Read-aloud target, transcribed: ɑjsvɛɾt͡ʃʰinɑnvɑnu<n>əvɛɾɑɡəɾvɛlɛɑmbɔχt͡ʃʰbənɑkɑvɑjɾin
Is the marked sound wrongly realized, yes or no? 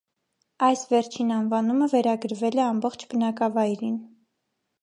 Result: yes